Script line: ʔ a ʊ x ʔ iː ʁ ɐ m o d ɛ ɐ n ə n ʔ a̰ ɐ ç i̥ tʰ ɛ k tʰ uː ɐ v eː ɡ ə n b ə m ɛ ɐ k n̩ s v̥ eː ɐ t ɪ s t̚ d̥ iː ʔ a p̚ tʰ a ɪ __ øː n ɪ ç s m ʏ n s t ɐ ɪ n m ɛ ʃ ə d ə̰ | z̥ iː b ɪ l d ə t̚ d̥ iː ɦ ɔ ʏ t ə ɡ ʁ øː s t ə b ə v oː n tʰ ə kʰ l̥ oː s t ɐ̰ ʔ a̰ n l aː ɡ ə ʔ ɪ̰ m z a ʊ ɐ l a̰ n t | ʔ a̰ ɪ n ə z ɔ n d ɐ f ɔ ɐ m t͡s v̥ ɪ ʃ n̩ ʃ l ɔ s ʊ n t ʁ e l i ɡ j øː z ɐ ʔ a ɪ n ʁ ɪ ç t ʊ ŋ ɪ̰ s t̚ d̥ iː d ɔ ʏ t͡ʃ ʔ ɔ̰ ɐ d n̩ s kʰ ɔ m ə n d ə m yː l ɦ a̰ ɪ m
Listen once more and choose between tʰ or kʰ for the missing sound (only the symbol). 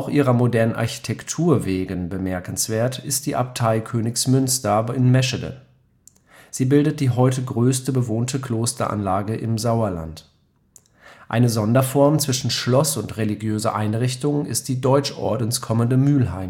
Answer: kʰ